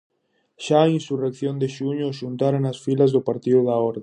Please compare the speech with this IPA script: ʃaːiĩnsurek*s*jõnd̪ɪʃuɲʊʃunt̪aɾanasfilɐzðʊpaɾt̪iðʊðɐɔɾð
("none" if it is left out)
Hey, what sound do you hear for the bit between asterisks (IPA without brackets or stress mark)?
θ